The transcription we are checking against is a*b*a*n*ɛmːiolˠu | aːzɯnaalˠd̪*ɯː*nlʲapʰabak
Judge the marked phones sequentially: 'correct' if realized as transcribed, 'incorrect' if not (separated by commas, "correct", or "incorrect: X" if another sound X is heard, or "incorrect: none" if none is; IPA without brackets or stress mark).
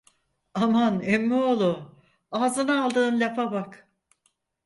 incorrect: m, correct, correct